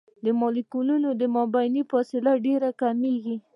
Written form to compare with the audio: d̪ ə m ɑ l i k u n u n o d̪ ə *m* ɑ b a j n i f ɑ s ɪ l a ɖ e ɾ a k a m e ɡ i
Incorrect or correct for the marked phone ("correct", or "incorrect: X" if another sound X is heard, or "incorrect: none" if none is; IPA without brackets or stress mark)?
correct